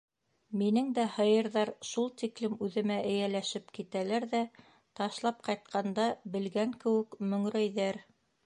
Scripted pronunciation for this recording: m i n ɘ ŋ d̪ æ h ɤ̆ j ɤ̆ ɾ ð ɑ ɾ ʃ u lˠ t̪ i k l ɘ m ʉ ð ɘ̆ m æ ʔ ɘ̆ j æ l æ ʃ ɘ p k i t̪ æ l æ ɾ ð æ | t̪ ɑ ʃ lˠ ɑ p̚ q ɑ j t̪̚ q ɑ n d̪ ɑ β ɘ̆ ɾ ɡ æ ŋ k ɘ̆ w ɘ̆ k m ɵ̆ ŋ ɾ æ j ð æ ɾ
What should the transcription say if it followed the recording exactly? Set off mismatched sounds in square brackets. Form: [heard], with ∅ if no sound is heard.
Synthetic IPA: m i n ɘ ŋ d̪ æ h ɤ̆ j ɤ̆ ɾ ð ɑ ɾ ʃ u lˠ t̪ i k l ɘ m ʉ ð ɘ̆ m æ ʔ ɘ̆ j æ l æ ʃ ɘ p k i t̪ æ l æ ɾ ð æ | t̪ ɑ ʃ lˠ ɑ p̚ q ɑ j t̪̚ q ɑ n d̪ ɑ [b] ɘ̆ [l] ɡ æ ŋ k ɘ̆ w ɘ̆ k m ɵ̆ ŋ ɾ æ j ð æ ɾ